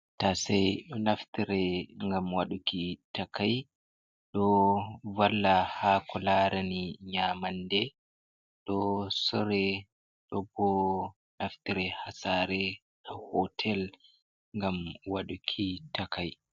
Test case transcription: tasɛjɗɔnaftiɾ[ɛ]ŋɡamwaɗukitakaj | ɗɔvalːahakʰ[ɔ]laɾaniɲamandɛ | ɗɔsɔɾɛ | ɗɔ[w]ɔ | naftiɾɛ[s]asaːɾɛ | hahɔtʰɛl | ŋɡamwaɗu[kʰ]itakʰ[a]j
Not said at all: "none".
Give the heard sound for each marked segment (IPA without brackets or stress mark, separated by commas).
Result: ɛ, ɔ, b, h, kʰ, a